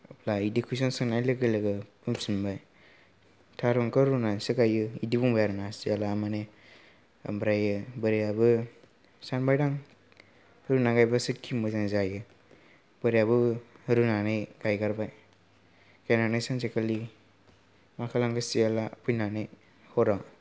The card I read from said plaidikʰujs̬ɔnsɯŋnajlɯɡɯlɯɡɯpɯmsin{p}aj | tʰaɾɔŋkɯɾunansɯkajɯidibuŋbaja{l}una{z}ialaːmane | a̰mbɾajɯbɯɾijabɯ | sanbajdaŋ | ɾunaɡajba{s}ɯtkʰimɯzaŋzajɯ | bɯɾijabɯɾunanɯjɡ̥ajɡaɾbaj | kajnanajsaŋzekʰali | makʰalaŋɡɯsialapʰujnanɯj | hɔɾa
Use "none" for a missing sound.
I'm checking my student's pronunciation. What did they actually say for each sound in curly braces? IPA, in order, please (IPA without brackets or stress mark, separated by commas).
b, ɾ, s, s